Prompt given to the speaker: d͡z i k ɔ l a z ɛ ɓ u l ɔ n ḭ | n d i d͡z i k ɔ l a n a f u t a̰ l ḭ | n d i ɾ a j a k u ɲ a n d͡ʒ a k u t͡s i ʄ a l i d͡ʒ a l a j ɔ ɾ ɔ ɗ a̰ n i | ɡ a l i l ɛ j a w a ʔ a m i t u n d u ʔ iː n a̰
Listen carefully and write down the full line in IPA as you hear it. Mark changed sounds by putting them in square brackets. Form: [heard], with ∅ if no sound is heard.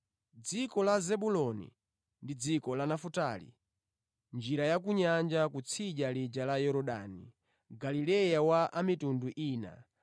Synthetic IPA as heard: d͡z i k ɔ l a z ɛ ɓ u l ɔ n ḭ | n d i d͡z i k ɔ l a n a f u t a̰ l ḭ | n [d͡ʒ] i ɾ a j a k u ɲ a n d͡ʒ a k u [t͡sʰ] i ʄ a l i d͡ʒ a l a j ɔ ɾ ɔ ɗ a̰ n i | ɡ a l i l ɛ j a w a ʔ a m i t u n d u ʔ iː n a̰